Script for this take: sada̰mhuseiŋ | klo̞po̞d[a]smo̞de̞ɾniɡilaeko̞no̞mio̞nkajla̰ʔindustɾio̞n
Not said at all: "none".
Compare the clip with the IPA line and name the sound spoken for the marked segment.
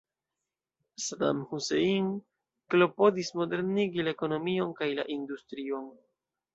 i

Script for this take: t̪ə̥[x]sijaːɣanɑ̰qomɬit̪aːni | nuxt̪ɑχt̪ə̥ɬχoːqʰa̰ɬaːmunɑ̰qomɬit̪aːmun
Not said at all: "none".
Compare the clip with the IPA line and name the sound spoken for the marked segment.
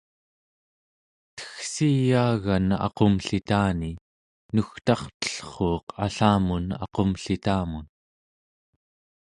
x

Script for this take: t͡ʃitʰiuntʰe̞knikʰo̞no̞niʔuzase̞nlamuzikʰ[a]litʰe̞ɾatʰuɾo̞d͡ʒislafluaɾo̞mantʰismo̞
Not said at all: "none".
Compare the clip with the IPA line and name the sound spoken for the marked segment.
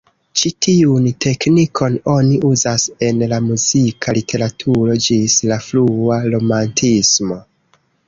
a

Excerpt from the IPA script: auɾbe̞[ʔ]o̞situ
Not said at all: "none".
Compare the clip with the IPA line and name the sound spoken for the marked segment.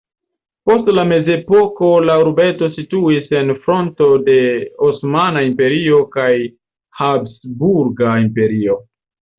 t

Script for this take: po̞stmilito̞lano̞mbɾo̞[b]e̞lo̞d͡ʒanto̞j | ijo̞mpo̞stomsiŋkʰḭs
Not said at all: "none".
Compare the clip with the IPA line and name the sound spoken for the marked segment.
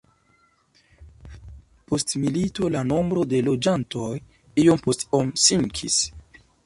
d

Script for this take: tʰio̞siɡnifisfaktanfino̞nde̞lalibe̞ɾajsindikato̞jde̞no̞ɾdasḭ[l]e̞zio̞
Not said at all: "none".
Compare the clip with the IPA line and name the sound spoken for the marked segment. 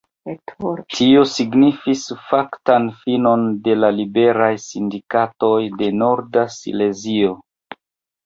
l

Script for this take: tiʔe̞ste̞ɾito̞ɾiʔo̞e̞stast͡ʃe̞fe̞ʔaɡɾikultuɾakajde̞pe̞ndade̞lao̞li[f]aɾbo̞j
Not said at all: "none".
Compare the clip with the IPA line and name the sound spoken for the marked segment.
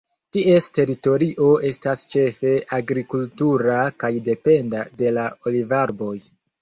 v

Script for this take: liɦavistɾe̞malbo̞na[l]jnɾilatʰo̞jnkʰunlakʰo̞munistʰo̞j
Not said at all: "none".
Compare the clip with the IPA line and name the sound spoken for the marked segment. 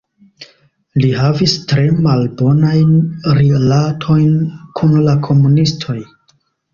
none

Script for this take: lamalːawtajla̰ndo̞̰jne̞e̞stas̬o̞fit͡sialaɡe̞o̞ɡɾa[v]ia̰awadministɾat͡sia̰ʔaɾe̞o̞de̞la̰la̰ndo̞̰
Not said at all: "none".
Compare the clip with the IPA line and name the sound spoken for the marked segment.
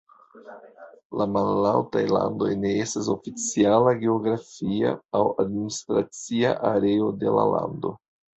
f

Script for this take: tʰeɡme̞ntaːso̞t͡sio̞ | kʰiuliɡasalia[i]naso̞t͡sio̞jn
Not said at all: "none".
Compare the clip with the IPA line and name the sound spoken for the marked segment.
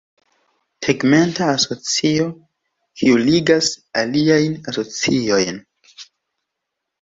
j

